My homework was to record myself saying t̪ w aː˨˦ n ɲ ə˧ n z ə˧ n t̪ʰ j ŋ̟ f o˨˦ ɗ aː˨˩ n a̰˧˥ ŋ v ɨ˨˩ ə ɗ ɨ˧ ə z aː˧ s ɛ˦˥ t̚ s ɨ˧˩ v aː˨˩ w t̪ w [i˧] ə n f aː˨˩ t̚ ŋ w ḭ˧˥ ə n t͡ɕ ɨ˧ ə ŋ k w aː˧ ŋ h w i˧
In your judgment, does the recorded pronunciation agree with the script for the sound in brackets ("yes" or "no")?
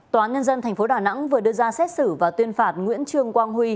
yes